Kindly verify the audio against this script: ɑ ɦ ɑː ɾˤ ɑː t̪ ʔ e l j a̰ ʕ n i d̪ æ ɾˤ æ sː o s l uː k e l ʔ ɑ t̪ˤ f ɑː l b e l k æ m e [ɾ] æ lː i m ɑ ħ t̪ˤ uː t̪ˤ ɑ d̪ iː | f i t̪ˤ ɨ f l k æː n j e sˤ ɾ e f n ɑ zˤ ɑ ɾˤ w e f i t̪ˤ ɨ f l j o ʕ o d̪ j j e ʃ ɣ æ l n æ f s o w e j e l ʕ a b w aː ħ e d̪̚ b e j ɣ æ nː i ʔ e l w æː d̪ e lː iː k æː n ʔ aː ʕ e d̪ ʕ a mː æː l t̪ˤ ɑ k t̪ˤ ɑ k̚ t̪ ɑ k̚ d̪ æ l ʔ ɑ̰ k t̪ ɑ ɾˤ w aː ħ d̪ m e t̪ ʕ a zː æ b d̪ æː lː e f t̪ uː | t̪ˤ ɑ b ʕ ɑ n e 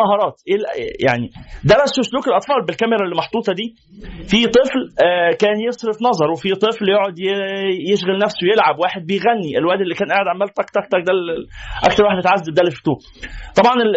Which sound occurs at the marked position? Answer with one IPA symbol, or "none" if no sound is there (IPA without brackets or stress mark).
ɾ